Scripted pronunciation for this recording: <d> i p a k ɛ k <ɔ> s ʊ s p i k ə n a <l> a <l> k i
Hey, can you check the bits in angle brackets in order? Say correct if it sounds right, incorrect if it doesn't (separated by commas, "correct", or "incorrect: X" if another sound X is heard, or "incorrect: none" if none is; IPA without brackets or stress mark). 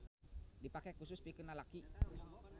correct, incorrect: u, correct, incorrect: none